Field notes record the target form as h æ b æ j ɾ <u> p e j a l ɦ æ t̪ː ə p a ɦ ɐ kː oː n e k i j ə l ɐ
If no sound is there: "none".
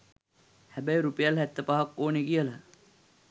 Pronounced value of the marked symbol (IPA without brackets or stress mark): u